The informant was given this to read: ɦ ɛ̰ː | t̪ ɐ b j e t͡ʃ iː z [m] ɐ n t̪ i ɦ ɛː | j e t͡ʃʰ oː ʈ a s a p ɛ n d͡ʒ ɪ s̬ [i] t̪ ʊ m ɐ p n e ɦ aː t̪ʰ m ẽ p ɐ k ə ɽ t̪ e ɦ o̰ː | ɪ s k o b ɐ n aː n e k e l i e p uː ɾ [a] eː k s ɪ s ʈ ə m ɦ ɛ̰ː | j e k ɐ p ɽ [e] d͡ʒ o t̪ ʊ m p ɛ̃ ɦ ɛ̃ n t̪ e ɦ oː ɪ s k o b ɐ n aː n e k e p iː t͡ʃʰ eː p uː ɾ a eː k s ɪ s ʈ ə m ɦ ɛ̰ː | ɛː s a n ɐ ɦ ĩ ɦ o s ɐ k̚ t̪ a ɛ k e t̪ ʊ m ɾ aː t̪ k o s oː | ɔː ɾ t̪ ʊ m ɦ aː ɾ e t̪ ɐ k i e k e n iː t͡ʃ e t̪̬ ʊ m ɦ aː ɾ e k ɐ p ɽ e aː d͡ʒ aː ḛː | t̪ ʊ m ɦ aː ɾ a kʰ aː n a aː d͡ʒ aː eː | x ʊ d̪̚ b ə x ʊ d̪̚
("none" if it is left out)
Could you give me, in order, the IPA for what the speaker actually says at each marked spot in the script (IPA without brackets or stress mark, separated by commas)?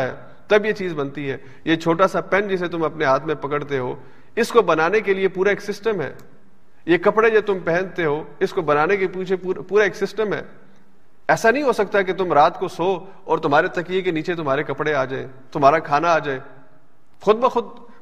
b, e, a, e